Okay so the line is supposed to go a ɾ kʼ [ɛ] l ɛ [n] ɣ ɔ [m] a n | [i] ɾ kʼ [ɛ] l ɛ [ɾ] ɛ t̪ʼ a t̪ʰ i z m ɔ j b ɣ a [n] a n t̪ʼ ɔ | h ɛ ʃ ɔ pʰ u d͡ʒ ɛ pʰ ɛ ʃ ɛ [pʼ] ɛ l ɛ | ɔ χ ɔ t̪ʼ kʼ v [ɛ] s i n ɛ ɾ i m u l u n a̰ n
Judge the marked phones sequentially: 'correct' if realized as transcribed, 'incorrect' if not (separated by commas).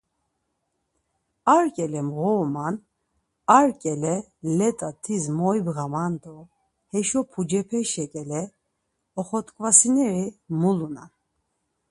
correct, incorrect, correct, incorrect, correct, incorrect, incorrect, incorrect, incorrect